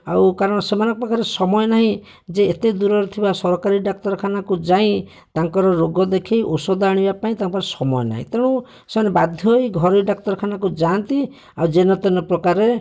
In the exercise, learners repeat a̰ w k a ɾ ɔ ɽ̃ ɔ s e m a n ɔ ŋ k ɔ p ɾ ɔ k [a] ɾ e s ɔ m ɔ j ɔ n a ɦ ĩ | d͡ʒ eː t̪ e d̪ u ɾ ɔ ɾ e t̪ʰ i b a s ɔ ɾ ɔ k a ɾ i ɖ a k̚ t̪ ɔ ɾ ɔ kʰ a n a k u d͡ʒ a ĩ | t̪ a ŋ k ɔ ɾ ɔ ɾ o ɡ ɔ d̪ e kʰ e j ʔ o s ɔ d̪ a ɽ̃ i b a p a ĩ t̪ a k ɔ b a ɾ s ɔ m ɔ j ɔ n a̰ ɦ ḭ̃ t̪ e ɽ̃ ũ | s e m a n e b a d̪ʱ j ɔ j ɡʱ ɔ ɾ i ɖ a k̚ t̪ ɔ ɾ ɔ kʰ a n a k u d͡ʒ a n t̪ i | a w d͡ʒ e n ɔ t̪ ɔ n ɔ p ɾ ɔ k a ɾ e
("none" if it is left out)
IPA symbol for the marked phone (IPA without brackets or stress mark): a